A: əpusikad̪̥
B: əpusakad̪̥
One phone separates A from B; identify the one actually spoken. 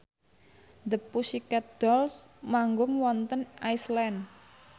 A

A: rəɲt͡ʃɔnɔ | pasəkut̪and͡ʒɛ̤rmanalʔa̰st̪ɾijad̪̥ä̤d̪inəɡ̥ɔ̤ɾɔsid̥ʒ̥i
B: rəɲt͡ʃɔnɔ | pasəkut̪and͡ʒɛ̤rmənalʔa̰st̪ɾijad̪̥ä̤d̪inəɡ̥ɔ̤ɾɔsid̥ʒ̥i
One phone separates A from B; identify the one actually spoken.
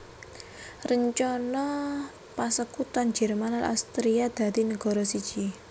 A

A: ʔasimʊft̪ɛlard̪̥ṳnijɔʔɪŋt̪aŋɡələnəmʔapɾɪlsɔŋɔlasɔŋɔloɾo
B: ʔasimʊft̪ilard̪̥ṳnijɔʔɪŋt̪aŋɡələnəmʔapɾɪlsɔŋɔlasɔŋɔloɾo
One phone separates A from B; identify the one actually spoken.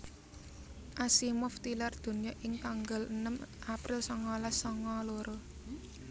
B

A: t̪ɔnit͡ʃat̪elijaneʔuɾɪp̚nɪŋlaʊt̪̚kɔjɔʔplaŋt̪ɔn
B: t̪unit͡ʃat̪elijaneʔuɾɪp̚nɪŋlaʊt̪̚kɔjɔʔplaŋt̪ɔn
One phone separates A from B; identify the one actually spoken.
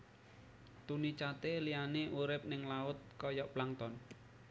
B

